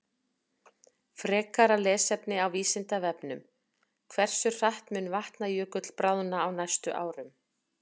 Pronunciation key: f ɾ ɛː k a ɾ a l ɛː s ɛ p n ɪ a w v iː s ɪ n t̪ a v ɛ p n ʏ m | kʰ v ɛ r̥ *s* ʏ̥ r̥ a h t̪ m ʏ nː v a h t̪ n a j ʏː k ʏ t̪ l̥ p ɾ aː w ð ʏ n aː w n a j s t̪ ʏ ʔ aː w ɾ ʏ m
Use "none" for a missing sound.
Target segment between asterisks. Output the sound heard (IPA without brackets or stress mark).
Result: s